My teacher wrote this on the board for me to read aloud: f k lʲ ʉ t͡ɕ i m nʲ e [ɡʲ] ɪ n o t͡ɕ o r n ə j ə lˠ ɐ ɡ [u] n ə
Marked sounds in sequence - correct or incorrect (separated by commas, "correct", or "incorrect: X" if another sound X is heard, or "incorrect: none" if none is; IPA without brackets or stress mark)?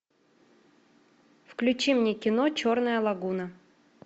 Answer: incorrect: kʲ, correct